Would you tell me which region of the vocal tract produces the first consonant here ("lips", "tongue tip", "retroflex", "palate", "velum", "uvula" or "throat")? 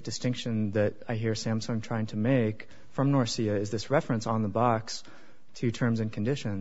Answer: tongue tip